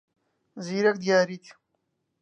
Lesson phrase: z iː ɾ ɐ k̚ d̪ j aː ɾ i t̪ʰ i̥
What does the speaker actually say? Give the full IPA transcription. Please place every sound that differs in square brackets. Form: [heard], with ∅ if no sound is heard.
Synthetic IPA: z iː ɾ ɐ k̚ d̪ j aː ɾ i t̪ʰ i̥